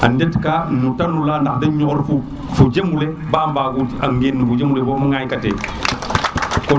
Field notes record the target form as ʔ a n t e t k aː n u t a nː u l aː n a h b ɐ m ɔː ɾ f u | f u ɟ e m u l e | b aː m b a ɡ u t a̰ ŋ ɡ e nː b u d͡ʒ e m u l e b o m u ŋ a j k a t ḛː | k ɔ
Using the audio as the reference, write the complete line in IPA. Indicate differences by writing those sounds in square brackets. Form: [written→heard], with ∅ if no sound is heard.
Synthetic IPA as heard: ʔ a n [t→d] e t k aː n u t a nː u l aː n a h [b→d] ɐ [m→ɲ] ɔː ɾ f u | f u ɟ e m u l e | b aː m b a ɡ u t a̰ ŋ ɡ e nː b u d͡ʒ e m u l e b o m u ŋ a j k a t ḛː | k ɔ